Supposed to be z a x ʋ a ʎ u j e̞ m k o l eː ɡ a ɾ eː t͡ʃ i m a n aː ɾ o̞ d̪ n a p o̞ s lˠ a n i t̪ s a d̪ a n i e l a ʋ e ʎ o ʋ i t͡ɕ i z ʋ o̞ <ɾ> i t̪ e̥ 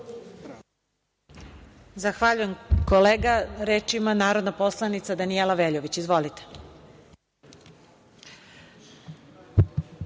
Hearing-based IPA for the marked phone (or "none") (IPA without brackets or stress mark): l